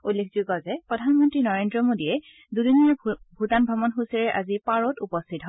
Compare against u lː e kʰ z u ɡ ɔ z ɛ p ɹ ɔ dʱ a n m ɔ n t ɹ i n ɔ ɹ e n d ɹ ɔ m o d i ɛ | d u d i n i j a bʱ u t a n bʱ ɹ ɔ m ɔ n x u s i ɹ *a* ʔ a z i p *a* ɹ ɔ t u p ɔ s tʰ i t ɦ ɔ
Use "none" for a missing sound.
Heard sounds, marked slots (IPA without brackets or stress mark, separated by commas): ɛ, a